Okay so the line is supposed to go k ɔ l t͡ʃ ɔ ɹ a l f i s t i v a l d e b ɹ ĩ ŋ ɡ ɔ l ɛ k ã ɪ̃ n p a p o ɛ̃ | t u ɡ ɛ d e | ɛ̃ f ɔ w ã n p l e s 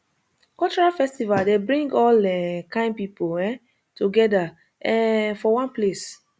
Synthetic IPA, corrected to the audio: k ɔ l t͡ʃ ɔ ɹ a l f ɛ s t i v a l d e b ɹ ĩ ŋ ɡ ɔ l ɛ k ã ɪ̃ n p i p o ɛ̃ | t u ɡ ɛ d a | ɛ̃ f ɔ w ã n p l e s